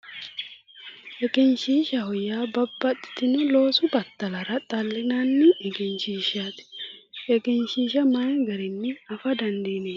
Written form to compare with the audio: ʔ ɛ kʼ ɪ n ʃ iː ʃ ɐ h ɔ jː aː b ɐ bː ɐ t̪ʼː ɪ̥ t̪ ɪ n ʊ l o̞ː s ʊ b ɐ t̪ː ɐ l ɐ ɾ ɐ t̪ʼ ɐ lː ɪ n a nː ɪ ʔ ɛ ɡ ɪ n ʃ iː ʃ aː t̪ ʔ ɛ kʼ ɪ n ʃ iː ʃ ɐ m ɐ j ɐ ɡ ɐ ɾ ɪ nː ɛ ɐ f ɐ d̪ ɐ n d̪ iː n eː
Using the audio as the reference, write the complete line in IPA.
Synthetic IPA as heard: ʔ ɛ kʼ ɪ n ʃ iː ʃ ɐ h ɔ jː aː b ɐ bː ɐ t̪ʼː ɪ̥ t̪ ɪ n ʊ l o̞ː s ʊ b ɐ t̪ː ɐ l ɐ ɾ ɐ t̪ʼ ɐ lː ɪ n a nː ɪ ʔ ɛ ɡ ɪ n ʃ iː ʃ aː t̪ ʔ ɛ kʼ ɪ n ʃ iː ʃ ɐ m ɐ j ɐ ɡ ɐ ɾ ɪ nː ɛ ɐ f ɐ d̪ ɐ n d̪ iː n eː